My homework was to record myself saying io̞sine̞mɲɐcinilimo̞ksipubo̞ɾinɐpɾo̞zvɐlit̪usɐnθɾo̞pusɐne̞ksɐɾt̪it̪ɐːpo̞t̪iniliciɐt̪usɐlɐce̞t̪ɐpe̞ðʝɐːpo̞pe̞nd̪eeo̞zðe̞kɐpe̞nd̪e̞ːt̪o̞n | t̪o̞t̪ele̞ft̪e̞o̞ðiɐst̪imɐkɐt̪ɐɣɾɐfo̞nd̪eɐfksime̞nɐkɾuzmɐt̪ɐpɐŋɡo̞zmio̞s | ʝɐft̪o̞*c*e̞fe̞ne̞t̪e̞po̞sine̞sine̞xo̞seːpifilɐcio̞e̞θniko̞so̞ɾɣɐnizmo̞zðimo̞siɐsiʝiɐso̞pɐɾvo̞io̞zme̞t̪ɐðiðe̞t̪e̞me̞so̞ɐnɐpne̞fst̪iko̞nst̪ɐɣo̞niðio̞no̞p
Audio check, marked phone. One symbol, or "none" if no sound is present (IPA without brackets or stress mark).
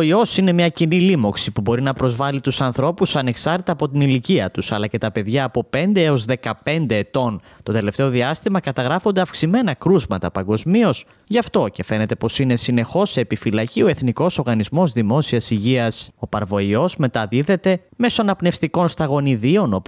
c